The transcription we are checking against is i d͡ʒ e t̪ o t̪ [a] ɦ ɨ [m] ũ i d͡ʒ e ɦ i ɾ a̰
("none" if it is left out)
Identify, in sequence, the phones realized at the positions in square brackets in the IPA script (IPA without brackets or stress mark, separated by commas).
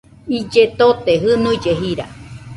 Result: e, n